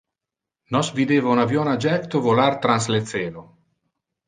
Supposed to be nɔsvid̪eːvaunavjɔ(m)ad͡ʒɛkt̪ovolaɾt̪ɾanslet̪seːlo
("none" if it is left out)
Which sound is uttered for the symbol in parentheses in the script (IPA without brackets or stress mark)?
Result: n